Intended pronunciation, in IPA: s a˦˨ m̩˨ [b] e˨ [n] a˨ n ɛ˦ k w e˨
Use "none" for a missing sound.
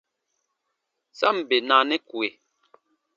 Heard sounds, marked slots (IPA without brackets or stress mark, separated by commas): b, n